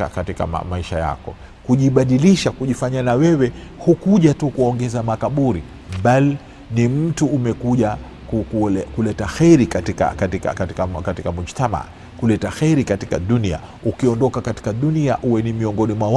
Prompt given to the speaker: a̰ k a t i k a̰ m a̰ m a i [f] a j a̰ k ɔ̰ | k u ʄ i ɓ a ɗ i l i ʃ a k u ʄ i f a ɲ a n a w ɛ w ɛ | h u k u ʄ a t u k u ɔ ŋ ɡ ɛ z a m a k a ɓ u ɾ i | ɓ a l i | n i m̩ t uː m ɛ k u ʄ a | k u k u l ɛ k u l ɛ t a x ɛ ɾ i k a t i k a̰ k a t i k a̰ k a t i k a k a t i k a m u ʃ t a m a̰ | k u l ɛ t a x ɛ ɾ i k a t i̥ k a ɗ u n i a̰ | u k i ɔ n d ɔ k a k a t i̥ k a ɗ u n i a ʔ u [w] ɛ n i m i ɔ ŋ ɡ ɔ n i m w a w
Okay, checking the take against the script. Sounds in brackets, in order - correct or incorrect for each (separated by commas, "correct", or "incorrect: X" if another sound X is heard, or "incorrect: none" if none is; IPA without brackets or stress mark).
incorrect: ʃ, correct